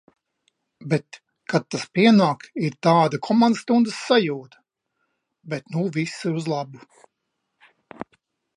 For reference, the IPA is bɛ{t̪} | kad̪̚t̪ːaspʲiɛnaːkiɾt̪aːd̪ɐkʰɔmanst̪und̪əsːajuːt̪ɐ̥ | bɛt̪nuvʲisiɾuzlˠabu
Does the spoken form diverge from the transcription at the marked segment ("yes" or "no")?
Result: no